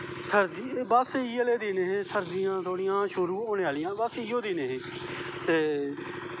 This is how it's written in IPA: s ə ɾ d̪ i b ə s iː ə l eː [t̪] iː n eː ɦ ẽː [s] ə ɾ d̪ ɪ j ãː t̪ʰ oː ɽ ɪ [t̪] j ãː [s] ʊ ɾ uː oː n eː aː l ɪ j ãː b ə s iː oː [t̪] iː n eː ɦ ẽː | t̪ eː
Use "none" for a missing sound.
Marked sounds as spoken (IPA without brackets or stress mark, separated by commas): d̪, s, none, ʃ, d̪